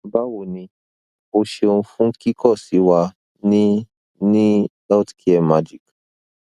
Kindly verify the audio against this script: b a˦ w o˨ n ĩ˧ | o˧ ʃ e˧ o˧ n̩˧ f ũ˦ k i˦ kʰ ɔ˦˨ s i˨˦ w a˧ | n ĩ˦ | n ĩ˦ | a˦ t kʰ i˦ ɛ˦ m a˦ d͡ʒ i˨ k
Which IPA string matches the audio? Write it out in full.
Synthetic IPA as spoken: b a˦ w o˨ n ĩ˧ | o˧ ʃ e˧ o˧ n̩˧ f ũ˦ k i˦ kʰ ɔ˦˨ s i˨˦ w a˧ | n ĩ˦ | n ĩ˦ | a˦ t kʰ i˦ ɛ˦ m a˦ d͡ʒ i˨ k